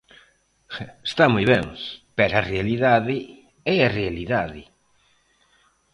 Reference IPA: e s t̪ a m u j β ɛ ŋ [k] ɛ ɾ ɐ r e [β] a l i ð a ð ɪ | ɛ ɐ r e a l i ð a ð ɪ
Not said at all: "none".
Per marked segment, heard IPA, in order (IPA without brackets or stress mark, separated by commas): p, none